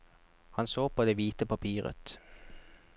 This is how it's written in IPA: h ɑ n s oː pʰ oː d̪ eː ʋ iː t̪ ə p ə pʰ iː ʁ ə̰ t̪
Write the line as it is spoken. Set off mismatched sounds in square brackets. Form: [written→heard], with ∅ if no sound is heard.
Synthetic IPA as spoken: h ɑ n s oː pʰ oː d̪ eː ʋ iː t̪ ə p [ə→ɑ] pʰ iː ʁ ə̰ t̪